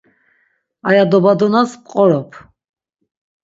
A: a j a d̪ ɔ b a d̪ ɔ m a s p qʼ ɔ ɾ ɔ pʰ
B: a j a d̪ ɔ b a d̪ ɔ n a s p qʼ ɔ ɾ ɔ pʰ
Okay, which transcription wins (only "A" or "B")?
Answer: B